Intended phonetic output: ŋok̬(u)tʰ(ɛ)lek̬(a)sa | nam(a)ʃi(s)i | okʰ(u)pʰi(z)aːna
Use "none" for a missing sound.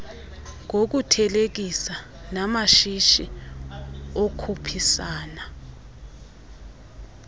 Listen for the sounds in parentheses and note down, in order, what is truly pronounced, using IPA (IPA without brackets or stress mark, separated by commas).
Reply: u, ɛ, i, a, ʃ, u, s